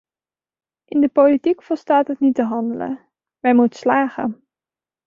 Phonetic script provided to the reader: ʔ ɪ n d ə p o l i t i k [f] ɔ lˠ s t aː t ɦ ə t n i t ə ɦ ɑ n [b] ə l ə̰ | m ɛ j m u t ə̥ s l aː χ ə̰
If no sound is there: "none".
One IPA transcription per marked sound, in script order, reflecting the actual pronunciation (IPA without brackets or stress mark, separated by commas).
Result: f, d